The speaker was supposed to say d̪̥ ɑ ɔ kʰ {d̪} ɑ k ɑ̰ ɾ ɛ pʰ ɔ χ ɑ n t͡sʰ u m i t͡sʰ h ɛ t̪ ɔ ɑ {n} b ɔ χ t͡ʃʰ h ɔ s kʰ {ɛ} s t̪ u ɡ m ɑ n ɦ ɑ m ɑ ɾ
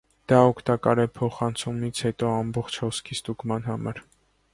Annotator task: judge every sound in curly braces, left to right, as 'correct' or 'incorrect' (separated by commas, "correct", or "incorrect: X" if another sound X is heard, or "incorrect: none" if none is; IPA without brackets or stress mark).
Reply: incorrect: t̪, incorrect: m, incorrect: i